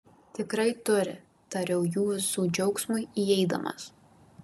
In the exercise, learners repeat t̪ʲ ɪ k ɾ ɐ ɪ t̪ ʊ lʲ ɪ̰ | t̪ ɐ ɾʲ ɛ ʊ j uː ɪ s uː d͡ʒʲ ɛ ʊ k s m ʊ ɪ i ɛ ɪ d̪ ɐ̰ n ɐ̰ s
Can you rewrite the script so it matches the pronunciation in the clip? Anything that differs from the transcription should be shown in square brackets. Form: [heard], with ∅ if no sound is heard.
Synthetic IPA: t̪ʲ ɪ k ɾ ɐ ɪ t̪ ʊ [ɾʲ] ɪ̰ | t̪ ɐ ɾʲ ɛ ʊ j uː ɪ s uː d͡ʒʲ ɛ ʊ k s m ʊ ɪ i ɛ ɪ d̪ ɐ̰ [m] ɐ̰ s

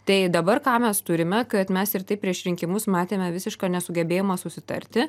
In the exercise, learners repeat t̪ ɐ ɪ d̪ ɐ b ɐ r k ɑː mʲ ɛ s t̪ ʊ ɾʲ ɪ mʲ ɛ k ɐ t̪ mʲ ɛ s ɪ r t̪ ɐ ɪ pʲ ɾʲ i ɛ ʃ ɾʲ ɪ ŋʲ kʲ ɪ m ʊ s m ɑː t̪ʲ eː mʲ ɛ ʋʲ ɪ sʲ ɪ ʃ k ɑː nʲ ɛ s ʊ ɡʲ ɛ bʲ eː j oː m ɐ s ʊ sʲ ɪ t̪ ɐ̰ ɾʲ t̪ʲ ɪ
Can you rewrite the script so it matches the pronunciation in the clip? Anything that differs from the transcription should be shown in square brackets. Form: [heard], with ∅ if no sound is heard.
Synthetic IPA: t̪ ɐ ɪ d̪ ɐ b ɐ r k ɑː mʲ ɛ s t̪ ʊ ɾʲ ɪ mʲ ɛ k ɐ t̪ mʲ ɛ s ɪ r t̪ ɐ ɪ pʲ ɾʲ i ɛ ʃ ɾʲ ɪ ŋʲ kʲ ɪ m ʊ s m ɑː t̪ʲ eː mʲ ɛ ʋʲ ɪ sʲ ɪ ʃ k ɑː nʲ ɛ s ʊ ɡʲ ɛ bʲ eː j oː m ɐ s ʊ sʲ ɪ t̪ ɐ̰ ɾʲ t̪ʲ ɪ

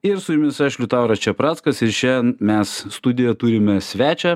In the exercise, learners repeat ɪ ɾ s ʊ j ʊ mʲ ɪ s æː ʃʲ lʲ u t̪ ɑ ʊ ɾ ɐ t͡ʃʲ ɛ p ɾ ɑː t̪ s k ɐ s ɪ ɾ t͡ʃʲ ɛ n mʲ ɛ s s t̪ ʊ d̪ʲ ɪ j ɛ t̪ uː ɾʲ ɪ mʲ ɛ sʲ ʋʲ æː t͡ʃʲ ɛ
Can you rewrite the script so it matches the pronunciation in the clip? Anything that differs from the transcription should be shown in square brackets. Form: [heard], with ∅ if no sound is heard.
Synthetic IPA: ɪ ɾ s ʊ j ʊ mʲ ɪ s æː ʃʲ lʲ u t̪ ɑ ʊ ɾ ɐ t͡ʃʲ ɛ p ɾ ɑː t̪ s k ɐ s ɪ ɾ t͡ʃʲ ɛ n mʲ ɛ s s t̪ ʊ d̪ʲ ɪ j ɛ t̪ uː ɾʲ ɪ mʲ ɛ sʲ ʋʲ æː t͡ʃʲ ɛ

